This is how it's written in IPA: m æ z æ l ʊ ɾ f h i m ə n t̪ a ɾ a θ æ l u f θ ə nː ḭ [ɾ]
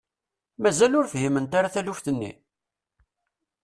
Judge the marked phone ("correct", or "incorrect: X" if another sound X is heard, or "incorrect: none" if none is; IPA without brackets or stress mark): incorrect: none